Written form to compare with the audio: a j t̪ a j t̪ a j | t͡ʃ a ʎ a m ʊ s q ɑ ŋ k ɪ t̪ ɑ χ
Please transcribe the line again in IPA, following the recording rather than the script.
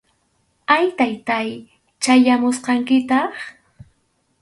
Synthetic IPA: a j t̪ a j t̪ a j | t͡ʃ a j a m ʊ s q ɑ ŋ k ɪ t̪ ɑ χ